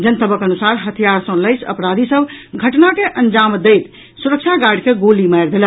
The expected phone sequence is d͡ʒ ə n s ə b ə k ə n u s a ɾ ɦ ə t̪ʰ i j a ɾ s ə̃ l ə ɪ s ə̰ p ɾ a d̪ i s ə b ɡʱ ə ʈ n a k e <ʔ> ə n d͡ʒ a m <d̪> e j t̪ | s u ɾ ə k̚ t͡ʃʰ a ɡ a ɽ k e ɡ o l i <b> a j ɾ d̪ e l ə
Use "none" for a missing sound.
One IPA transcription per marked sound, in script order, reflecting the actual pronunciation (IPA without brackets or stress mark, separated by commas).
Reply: ʔ, d̪, m